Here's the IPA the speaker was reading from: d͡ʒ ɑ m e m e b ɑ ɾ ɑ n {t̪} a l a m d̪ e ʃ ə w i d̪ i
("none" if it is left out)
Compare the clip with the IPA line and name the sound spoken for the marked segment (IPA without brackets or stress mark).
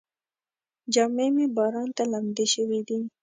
t̪